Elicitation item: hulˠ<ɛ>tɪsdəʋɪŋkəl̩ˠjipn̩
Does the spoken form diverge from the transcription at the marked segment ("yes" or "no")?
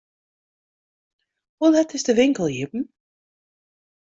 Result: no